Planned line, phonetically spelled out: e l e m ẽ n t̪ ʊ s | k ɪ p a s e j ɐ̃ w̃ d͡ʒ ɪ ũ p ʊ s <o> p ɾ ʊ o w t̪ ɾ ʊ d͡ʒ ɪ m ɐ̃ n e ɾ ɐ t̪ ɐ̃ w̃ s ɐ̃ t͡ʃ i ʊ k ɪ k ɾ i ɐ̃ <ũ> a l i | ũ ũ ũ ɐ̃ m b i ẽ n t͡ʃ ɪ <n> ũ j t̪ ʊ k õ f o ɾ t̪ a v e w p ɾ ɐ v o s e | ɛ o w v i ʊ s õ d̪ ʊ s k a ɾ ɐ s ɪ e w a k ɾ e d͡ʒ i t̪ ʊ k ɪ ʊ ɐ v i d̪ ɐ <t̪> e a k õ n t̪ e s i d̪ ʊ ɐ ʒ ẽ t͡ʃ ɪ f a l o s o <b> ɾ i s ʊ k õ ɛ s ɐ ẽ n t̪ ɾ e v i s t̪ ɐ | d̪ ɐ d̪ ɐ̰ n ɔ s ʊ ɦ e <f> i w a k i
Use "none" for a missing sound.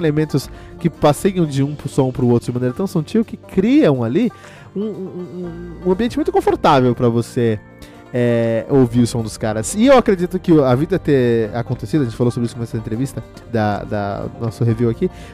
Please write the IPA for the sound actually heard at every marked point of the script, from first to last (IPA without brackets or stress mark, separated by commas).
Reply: õ, w̃, m, t̪, b, v